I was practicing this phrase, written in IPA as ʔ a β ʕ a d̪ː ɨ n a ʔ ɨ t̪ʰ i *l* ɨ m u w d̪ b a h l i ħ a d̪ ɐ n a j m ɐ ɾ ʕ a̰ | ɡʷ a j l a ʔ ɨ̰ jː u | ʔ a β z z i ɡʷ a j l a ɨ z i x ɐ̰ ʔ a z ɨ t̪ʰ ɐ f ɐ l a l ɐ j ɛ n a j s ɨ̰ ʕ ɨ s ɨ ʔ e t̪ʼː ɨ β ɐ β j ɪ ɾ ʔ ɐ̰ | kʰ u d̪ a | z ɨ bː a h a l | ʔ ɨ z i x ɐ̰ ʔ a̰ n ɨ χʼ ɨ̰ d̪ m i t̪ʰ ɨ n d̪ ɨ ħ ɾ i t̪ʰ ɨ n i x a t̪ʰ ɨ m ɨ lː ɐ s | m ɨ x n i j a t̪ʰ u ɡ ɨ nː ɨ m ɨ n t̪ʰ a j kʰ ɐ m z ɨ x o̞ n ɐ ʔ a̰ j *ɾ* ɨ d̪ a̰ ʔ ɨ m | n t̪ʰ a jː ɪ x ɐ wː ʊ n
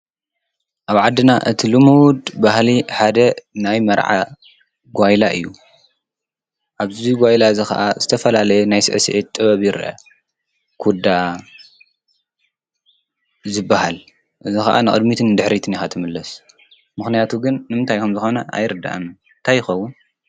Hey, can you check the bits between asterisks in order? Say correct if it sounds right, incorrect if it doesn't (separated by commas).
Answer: correct, correct